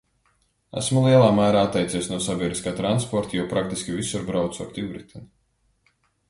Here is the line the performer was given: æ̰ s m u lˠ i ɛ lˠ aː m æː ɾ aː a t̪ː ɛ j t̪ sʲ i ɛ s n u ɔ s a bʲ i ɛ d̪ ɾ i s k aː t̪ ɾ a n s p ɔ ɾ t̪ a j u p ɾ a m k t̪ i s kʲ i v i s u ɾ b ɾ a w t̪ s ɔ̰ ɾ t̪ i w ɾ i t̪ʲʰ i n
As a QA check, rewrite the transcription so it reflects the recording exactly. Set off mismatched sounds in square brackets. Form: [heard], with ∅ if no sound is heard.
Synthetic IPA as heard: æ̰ s m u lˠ i ɛ lˠ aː m æː ɾ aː a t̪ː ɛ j t̪ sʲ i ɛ s n u ɔ s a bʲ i ɛ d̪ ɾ i s k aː t̪ ɾ a n s p ɔ ɾ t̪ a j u p ɾ a [∅] k t̪ i s kʲ i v i s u ɾ b ɾ a w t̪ s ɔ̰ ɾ t̪ i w ɾ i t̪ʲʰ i n

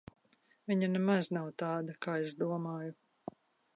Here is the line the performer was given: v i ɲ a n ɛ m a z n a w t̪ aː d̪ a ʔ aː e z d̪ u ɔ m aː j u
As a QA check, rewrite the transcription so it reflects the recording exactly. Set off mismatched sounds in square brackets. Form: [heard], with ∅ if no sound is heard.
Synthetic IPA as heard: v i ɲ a n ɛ m a z n a w t̪ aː d̪ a [k] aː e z d̪ u ɔ m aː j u

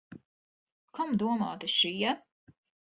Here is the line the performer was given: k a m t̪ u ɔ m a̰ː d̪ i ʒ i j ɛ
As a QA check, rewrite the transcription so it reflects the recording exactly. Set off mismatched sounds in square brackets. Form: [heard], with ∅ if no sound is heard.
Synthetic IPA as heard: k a m [d̪] u ɔ m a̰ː [t̪] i [ʃ] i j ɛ

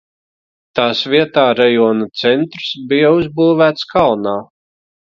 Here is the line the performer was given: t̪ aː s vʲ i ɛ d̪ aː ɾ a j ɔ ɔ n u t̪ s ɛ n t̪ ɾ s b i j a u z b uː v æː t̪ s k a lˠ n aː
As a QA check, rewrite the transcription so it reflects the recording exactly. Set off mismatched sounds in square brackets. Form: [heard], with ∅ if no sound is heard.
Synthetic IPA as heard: t̪ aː s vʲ i ɛ [t̪] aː ɾ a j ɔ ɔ n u t̪ s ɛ n t̪ ɾ s b i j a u z b uː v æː t̪ s k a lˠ n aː

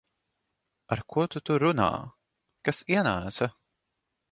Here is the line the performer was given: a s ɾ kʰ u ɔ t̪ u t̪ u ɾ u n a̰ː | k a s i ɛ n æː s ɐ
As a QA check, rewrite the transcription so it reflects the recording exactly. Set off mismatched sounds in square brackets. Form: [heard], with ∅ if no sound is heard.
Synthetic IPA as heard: a [∅] ɾ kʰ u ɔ t̪ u t̪ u ɾ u n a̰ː | k a s i ɛ n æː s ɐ

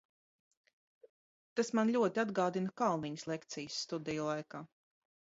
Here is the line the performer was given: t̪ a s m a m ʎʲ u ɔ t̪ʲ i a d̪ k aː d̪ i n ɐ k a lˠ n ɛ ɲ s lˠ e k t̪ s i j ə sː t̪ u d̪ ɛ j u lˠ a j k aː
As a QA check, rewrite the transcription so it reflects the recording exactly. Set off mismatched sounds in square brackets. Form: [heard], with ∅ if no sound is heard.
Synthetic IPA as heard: t̪ a s m a [n] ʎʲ u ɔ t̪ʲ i a d̪ [ɡ] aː d̪ i n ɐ k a lˠ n [i] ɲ s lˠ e k t̪ s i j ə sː t̪ u d̪ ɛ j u lˠ a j k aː

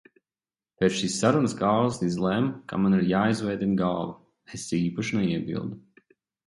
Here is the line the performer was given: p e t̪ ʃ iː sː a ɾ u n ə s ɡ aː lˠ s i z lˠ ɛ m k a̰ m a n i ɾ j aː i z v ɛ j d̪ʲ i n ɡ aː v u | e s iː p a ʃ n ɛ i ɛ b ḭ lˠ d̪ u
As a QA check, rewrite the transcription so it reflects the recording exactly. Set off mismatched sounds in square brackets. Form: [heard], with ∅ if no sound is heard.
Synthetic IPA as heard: p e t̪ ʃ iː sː a ɾ u n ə s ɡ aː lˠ s i z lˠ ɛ m k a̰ m a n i ɾ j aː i z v ɛ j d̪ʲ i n ɡ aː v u | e s iː p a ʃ n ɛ i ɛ b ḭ lˠ d̪ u

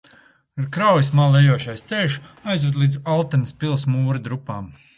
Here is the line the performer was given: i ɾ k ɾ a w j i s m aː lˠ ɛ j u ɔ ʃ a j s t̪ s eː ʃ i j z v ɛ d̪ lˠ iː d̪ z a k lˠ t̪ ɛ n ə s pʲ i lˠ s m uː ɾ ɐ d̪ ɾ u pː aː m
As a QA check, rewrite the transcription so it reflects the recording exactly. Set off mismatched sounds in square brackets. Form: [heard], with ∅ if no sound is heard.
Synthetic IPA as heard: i ɾ k ɾ a w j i s m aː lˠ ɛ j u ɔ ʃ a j s t̪ s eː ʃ [a] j z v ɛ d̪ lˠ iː d̪ z a [∅] lˠ t̪ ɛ n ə s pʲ i lˠ s m uː ɾ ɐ d̪ ɾ u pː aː m

